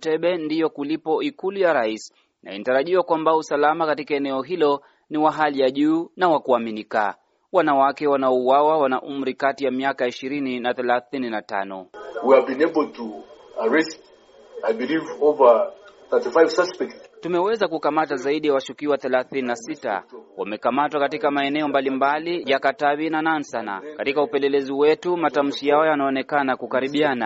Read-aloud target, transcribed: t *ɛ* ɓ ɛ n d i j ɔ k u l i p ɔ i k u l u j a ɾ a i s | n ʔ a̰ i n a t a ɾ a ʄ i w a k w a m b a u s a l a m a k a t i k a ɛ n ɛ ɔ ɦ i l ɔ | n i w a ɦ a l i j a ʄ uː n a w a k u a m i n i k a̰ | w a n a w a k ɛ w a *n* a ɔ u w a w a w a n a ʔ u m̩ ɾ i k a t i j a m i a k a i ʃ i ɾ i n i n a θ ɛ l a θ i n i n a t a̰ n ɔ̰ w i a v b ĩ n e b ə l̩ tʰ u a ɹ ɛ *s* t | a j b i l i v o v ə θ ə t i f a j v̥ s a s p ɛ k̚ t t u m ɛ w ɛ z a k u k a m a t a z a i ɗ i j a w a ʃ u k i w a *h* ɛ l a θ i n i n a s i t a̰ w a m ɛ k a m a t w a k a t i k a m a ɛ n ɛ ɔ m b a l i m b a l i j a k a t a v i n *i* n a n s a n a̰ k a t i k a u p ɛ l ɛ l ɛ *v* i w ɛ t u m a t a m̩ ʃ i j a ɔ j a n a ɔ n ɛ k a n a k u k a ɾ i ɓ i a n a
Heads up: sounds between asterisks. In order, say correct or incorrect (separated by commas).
correct, correct, correct, incorrect, incorrect, incorrect